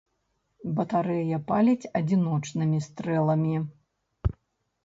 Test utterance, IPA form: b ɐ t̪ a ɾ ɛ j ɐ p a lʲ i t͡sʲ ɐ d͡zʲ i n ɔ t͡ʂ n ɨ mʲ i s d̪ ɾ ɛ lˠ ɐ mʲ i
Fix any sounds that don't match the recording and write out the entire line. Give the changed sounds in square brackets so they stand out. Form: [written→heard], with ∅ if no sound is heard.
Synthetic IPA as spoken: b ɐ t̪ a ɾ ɛ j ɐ p a lʲ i t͡sʲ ɐ d͡zʲ i n ɔ t͡ʂ n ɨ mʲ i s [d̪→t̪] ɾ ɛ lˠ ɐ mʲ i